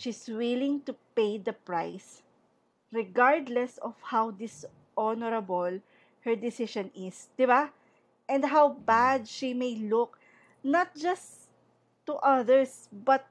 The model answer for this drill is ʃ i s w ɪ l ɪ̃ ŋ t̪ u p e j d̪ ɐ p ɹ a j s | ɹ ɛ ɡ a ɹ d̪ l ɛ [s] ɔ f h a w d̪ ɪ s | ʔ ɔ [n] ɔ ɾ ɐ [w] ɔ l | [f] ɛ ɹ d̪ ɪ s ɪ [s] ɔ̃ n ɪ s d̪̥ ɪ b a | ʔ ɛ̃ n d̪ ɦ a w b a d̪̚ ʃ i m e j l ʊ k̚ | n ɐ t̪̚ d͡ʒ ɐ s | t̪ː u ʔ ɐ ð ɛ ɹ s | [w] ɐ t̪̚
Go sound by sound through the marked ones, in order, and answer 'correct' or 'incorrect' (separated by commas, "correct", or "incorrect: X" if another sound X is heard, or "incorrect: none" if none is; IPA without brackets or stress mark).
correct, correct, incorrect: b, incorrect: h, incorrect: ʃ, incorrect: b